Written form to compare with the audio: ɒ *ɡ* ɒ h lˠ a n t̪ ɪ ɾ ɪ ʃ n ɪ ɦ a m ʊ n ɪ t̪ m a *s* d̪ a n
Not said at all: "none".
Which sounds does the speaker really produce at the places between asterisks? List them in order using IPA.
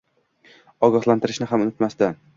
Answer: ɡ, s

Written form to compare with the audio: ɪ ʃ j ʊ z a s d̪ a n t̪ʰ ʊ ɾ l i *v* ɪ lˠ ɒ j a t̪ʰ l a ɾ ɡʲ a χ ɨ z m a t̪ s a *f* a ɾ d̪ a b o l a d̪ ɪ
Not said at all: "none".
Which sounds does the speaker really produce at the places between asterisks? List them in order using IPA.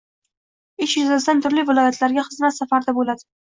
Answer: v, f

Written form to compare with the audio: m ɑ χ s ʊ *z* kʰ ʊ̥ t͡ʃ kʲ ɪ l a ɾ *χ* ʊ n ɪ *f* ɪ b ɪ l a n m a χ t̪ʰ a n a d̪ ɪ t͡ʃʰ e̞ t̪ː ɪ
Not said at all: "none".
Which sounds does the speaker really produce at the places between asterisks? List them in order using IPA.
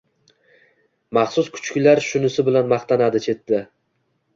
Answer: s, ʃ, s

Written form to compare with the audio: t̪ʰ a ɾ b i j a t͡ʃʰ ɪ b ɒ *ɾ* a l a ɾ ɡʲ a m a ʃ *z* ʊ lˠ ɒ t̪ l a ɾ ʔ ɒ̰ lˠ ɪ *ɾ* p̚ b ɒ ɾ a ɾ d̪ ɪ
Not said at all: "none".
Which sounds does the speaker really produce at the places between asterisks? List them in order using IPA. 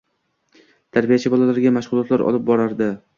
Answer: l, ʁ, none

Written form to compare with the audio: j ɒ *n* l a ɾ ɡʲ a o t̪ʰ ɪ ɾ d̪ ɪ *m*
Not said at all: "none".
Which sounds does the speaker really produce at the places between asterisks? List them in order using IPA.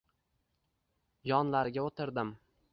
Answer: n, m

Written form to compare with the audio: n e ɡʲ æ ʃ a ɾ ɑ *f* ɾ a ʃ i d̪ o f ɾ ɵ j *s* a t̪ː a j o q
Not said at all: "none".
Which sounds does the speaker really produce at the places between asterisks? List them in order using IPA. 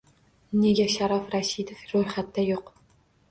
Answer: f, χ

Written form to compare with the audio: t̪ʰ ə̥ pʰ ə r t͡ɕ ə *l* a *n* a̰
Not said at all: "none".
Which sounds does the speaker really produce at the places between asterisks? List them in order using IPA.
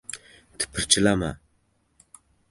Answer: l, m

